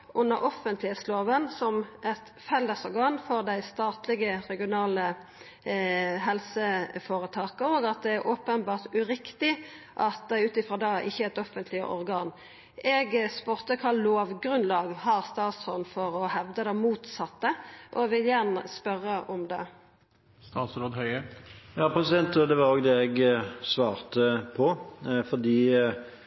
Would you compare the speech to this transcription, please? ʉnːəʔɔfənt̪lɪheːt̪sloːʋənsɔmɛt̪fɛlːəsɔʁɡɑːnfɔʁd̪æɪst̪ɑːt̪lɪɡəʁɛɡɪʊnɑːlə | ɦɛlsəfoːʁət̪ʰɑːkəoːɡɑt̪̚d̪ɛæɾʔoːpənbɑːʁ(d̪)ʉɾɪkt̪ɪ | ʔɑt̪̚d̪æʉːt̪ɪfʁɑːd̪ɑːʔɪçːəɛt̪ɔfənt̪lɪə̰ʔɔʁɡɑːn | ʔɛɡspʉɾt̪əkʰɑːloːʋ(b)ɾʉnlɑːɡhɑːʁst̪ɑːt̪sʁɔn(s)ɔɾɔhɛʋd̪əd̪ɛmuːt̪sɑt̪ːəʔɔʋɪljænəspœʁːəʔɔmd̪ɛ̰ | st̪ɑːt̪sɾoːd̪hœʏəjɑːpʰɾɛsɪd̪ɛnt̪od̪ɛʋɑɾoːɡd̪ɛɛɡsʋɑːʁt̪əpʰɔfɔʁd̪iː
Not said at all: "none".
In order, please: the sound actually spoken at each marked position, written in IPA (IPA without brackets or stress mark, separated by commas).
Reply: t̪, ɡ, f